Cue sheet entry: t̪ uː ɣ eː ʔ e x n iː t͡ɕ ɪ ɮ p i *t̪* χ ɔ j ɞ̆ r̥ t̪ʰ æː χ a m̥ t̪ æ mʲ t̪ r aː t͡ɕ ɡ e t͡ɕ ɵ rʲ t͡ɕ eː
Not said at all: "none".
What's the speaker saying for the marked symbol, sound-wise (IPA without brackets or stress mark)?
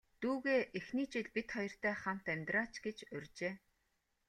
t̪